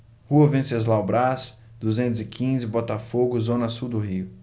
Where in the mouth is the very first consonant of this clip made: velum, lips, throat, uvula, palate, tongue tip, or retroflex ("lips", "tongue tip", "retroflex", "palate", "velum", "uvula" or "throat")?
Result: throat